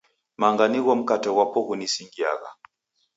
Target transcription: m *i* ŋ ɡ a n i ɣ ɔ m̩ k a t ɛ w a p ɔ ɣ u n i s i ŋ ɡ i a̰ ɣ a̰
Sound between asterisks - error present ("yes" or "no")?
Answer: yes